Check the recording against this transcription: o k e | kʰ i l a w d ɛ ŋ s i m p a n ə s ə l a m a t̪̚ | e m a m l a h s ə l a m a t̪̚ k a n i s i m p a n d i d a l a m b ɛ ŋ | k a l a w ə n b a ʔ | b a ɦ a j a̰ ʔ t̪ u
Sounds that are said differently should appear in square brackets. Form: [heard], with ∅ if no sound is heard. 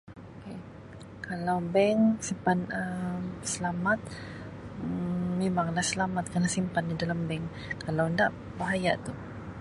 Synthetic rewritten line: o k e | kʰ [a] l a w [b] ɛ ŋ s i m p a n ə s ə l a m a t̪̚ | e m a [ŋ] l a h s ə l a m a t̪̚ k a n [a] s i m p a n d i d a l a m b ɛ ŋ | k a l a w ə n [d] a ʔ | b a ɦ a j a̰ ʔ t̪ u